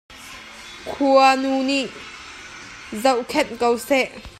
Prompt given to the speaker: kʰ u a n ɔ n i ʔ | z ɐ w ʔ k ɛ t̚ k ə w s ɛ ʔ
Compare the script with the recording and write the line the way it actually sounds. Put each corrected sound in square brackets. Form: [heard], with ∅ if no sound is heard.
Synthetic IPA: kʰ u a n [u] n i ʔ | z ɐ w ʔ [kʰ] ɛ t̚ k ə w s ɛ ʔ